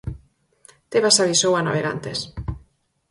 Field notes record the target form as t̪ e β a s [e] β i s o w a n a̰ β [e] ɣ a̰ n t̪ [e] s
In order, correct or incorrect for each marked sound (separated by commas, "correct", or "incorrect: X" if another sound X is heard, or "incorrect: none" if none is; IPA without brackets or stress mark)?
incorrect: a, correct, correct